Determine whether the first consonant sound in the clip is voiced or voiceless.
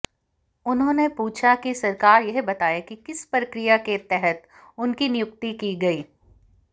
voiced